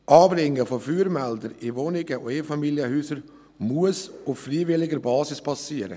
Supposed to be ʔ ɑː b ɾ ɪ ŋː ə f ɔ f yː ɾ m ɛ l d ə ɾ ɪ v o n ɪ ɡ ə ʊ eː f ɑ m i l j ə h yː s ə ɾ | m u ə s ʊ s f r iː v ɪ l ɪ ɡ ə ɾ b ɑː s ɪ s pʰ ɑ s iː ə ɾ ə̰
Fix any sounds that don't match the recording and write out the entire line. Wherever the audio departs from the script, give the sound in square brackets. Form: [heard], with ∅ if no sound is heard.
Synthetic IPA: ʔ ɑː b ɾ ɪ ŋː ə f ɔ f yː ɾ m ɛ l d ə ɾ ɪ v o n ɪ ɡ ə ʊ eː f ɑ m i l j ə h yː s ə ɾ | m u ə s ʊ [f] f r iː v ɪ l ɪ ɡ ə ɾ b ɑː s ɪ s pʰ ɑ s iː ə ɾ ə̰